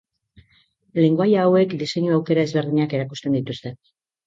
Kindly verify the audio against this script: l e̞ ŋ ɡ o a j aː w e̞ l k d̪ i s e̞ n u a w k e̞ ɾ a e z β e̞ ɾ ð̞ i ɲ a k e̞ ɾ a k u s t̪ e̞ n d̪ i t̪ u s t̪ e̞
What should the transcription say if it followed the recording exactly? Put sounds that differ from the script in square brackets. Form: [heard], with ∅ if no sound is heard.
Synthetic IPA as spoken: l e̞ ŋ ɡ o a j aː w e̞ [∅] k d̪ i s e̞ [ɲ] u a w k e̞ ɾ a e z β e̞ ɾ ð̞ i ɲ a k e̞ ɾ a k u s t̪ e̞ n d̪ i t̪ u s t̪ e̞